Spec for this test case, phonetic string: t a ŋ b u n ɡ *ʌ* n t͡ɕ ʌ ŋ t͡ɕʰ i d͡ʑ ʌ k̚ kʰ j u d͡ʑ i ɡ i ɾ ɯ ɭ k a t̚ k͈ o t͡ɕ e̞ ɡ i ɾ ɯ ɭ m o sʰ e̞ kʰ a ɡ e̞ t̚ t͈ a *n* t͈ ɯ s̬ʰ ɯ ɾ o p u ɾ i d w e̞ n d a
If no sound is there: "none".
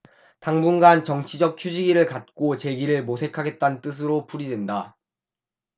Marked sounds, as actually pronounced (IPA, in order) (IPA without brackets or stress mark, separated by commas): a, n